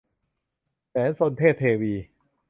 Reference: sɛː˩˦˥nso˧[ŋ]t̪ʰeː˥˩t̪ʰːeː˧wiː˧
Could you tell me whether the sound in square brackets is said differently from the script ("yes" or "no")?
yes